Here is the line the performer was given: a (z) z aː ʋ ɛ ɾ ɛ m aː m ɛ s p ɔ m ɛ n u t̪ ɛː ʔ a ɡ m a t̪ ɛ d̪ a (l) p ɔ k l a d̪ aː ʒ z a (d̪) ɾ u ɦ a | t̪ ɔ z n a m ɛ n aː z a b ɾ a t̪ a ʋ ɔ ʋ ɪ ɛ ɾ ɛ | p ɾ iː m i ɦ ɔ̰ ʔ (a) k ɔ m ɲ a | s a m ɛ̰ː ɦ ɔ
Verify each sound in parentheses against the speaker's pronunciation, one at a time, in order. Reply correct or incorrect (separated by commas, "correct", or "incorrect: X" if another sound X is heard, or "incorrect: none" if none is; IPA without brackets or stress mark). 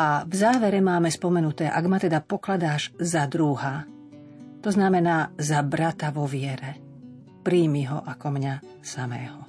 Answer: incorrect: v, incorrect: none, correct, correct